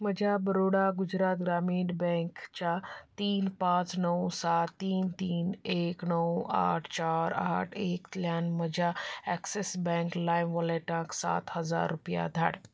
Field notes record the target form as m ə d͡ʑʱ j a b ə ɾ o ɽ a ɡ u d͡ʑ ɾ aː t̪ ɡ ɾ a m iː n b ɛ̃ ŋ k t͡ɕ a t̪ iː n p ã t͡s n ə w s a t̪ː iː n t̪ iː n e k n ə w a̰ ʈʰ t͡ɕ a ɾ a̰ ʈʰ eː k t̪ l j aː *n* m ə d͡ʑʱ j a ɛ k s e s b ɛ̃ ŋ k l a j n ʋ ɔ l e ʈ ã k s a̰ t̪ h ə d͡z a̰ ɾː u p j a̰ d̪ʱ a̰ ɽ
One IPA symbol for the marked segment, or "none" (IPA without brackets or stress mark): n